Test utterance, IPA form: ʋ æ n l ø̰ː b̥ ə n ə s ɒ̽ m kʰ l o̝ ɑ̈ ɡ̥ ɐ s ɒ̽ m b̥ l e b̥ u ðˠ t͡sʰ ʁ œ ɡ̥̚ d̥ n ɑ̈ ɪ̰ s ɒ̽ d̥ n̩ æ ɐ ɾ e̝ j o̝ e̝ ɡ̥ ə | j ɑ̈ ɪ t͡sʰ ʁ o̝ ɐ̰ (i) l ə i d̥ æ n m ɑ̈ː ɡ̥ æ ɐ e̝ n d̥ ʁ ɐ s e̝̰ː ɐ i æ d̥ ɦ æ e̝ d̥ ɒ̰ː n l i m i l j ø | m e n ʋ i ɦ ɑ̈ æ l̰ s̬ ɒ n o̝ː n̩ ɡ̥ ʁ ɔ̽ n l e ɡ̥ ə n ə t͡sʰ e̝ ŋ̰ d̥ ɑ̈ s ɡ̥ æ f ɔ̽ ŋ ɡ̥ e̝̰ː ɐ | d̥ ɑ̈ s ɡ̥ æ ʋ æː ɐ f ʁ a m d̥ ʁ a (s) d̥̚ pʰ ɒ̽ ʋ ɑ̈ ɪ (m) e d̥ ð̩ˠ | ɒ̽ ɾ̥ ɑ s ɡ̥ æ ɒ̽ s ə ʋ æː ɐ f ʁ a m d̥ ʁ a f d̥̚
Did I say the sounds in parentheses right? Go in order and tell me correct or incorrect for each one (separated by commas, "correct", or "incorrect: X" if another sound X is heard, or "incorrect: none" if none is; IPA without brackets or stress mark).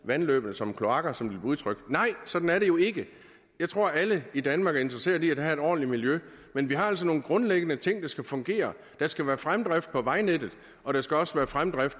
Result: incorrect: æ, incorrect: f, incorrect: n